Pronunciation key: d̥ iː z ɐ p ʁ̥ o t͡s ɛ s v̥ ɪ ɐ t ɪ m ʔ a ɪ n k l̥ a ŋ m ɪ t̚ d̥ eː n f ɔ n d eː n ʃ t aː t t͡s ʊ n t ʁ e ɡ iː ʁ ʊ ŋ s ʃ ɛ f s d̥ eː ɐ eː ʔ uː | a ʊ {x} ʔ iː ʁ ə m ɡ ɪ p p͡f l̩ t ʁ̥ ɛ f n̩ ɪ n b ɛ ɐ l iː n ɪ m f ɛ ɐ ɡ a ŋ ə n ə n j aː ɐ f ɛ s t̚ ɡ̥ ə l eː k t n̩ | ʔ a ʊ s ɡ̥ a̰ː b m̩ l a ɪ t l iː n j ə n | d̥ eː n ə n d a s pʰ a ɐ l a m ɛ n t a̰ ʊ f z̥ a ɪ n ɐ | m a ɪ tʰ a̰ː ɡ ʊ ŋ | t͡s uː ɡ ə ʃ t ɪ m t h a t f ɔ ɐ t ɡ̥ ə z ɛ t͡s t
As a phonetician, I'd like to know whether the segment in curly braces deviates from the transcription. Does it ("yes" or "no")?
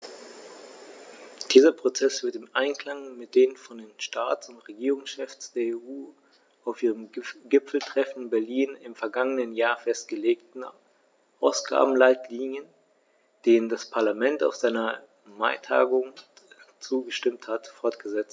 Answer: yes